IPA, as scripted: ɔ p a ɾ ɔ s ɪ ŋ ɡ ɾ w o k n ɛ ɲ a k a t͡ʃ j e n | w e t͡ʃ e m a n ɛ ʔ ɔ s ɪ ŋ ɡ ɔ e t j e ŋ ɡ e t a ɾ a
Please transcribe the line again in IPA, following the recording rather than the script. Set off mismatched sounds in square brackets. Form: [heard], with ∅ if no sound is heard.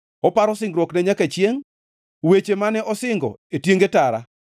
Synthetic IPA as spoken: ɔ p a ɾ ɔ s ɪ ŋ ɡ ɾ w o k n ɛ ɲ a k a t͡ʃ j e [ŋ] | w e t͡ʃ e m a n ɛ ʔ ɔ s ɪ ŋ ɡ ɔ e t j e ŋ ɡ e t a ɾ a